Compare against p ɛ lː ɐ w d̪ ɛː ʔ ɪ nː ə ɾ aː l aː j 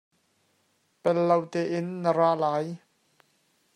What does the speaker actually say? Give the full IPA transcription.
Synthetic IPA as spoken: p ɛ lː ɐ w t̪ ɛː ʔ ɪ nː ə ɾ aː l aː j